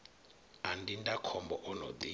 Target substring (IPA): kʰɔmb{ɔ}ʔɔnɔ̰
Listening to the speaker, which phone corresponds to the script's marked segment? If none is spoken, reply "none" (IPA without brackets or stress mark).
ɔ